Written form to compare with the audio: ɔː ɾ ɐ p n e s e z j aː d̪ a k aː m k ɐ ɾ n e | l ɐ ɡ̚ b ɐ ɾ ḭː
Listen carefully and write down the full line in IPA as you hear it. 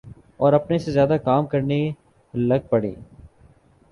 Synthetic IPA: ɔː ɾ ɐ p n e s e z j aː d̪ a k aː m k ɐ ɾ n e | l ɐ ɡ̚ p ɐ ɽ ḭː

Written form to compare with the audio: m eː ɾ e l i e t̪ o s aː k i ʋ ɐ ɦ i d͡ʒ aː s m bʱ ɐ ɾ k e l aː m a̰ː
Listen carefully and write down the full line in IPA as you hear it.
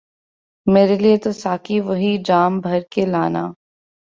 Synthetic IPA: m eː ɾ e l i e t̪ o s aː k i ʋ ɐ ɦ i d͡ʒ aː m bʱ ɐ ɾ k e l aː n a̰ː

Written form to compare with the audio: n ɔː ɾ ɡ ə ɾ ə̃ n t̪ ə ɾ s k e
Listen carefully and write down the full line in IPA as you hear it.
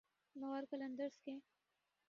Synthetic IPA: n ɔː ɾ k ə l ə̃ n d̪ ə ɾ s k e

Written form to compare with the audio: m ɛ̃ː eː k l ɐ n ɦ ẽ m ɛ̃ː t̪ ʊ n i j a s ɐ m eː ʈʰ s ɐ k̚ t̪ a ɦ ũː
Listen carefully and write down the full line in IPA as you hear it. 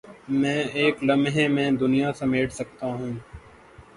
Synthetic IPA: m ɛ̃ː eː k l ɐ m ɦ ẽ m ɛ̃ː d̪ ʊ n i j a s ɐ m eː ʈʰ s ɐ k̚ t̪ a ɦ ũː

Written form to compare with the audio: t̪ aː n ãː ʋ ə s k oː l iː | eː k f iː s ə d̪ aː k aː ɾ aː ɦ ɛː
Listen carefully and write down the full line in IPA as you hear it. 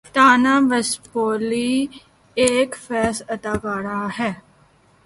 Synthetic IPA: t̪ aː n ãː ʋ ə s p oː l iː | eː k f ɛː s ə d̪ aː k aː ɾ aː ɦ ɛː

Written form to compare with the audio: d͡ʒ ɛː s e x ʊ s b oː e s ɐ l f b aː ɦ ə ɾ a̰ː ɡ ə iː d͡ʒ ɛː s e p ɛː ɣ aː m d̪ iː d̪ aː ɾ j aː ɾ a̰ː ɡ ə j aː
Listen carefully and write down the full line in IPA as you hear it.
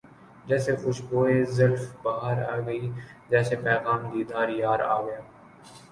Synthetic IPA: d͡ʒ ɛː s e x ʊ ʃ b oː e z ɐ l f b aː ɦ ə ɾ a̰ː ɡ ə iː d͡ʒ ɛː s e p ɛː ɣ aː m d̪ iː d̪ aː ɾ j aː ɾ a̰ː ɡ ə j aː

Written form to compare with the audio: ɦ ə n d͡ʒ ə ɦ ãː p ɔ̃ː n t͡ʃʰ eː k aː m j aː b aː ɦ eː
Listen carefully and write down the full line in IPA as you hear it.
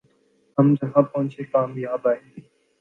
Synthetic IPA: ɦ ə m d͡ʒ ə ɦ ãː p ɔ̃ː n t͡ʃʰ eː k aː m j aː b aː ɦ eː

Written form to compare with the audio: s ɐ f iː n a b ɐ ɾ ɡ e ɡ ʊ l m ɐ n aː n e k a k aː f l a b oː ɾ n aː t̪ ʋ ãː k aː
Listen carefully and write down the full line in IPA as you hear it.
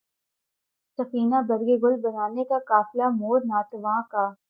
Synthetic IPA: s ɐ f iː n a b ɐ ɾ ɡ e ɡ ʊ l b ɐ n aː n e k a k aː f l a m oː ɾ n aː t̪ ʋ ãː k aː

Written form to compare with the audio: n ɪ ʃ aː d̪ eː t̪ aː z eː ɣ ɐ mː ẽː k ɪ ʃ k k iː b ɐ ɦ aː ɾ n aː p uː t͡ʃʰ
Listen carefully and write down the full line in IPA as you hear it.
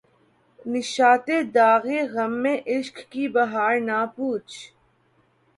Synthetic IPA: n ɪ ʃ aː t̪ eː d̪ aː ɣ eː ɣ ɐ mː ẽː ʔ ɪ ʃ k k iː b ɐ ɦ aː ɾ n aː p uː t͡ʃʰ

